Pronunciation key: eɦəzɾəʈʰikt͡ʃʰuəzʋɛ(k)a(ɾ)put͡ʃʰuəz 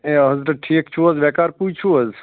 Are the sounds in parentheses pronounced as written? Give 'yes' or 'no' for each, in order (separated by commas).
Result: yes, yes